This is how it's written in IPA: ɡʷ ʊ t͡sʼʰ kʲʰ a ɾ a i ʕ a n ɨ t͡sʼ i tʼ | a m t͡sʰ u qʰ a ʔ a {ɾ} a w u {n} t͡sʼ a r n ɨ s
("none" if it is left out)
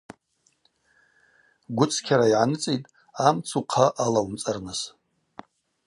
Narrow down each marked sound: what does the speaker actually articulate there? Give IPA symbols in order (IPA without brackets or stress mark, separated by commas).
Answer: l, m